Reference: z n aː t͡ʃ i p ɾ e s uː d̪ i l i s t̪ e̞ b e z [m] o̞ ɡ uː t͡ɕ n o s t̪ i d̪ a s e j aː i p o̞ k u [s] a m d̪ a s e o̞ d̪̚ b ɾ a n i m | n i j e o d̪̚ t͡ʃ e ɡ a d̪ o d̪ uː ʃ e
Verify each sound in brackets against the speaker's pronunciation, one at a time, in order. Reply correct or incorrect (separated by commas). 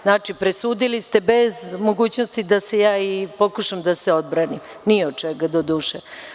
correct, incorrect